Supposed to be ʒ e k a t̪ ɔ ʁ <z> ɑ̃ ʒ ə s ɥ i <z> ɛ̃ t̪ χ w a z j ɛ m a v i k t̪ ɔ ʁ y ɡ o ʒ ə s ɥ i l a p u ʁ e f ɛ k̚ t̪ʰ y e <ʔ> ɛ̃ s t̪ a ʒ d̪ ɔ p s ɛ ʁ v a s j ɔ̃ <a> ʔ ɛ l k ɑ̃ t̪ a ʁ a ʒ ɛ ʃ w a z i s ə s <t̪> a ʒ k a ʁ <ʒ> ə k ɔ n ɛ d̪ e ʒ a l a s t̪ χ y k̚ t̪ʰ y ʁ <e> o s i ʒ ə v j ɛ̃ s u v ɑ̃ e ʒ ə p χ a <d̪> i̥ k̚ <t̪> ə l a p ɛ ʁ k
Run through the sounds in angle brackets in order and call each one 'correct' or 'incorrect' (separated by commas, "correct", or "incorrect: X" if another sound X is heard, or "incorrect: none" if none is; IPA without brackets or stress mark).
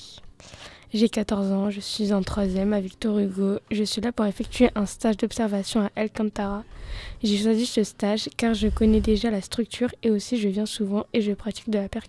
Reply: correct, correct, correct, correct, correct, correct, correct, incorrect: t̪, incorrect: d̪